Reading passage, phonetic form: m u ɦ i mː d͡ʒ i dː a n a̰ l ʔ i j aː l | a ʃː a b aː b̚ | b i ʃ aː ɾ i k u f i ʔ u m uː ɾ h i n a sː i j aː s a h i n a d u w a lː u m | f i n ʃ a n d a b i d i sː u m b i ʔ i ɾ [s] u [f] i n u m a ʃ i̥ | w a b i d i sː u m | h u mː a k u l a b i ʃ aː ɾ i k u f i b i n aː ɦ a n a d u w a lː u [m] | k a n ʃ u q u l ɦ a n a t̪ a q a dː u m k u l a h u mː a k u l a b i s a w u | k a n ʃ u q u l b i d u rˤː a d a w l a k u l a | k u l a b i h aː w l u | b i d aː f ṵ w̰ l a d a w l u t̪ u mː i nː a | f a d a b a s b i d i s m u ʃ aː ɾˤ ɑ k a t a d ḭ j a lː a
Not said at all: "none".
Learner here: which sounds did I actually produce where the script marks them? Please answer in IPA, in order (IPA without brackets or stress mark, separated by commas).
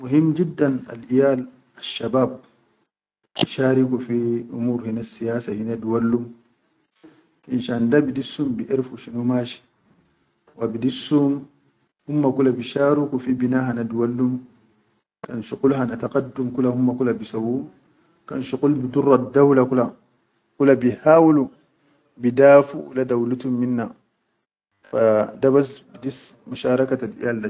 f, ʃ, m